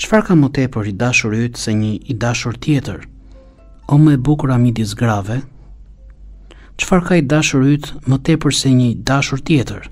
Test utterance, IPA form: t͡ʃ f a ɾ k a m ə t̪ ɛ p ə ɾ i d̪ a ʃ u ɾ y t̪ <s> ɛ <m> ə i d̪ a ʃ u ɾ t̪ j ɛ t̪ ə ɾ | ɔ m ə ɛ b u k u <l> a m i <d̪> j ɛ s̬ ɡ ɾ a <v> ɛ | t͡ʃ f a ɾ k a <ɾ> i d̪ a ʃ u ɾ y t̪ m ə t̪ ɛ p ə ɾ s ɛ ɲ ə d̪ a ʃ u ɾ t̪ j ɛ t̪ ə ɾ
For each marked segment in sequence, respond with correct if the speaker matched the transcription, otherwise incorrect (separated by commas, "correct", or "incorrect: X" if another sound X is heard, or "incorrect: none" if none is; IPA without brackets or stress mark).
correct, incorrect: ɲ, incorrect: ɾ, correct, correct, incorrect: none